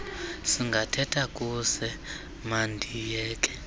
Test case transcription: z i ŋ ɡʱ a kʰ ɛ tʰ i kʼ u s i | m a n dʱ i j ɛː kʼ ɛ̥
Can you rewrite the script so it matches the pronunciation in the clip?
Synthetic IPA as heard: s i ŋ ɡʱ a tʰ ɛ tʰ a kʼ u s ɛ | m a n dʱ i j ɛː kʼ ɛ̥